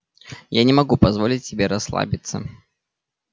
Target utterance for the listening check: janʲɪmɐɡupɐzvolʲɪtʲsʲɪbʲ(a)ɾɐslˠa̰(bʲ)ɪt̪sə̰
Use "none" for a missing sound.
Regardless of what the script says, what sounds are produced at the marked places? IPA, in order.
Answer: e, bʲ

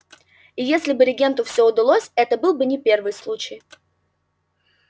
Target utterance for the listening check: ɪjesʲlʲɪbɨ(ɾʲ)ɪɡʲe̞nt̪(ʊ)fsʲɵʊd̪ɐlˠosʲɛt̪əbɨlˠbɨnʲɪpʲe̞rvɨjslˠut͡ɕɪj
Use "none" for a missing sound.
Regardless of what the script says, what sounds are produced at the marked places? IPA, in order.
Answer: ɾʲ, ʊ

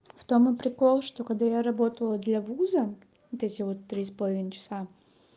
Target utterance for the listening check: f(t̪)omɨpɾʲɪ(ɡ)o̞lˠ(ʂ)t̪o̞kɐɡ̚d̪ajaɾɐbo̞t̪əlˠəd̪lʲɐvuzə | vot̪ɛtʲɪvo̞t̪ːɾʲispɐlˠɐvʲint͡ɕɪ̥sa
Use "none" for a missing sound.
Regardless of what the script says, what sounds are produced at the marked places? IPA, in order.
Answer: t̪, k, ʂ

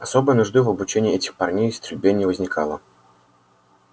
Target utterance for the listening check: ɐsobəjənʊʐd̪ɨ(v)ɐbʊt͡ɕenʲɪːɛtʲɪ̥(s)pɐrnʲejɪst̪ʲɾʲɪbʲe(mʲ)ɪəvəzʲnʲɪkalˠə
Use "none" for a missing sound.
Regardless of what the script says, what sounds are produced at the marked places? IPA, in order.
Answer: v, x, nʲ

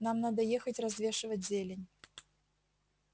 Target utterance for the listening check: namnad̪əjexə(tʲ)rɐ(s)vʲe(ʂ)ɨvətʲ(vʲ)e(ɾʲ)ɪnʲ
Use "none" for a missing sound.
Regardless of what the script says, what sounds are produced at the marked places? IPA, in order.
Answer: tʲ, z, ʂ, zʲ, lʲ

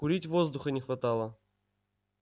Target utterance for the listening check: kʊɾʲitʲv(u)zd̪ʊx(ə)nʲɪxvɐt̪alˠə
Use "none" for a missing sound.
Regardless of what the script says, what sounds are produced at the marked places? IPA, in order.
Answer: o, ə

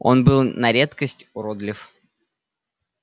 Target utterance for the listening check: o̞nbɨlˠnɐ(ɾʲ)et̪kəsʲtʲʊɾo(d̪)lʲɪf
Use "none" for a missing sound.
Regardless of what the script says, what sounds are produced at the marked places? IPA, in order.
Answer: ɾʲ, d̪

